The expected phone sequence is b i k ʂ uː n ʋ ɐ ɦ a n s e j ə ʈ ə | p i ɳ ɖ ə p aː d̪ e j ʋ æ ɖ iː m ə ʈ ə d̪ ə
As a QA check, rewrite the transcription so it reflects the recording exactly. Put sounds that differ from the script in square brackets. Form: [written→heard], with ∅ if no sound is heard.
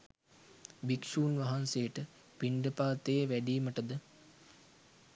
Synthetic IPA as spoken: b i k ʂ uː n ʋ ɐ ɦ a n s e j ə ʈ ə | p i ɳ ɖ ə p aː [d̪→t̪] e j ʋ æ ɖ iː m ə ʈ ə d̪ ə